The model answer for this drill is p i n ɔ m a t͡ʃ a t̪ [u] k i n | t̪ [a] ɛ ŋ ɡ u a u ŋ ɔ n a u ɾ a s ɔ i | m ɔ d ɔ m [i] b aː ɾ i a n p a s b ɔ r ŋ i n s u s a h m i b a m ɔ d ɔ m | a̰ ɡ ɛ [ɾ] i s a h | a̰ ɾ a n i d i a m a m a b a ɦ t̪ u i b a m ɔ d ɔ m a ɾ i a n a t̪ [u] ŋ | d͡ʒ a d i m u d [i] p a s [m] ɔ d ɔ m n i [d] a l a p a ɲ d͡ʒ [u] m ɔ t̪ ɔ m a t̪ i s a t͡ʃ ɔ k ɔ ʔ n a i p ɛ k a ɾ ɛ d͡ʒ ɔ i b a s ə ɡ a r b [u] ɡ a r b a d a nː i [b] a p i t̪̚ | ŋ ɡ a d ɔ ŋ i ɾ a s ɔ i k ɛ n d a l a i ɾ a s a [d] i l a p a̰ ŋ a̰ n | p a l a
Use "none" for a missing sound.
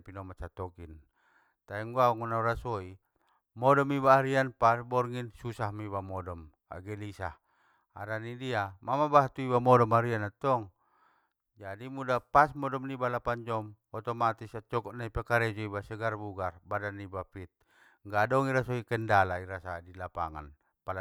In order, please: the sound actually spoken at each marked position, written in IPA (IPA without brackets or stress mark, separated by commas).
ɔ, a, i, l, ɔ, a, m, b, ɔ, u, b, d